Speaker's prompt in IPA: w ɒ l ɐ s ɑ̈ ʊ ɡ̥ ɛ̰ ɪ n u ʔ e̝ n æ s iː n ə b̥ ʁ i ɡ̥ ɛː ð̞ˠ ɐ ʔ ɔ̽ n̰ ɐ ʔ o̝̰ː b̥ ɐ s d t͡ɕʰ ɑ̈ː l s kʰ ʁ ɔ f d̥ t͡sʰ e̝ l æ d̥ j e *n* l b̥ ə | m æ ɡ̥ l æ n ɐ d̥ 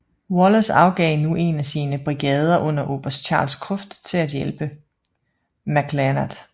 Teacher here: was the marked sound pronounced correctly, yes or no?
no